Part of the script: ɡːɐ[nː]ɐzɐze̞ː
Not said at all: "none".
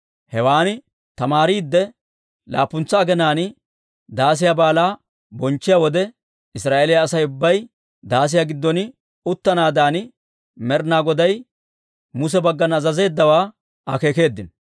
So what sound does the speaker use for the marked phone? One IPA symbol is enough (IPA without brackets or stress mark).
n